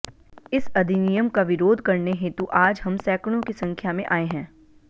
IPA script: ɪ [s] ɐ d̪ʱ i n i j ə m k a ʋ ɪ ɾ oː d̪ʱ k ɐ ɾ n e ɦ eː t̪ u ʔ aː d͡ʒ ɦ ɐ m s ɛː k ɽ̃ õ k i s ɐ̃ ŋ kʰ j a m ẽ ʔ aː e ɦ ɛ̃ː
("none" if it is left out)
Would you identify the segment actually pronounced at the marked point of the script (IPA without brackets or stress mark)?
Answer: s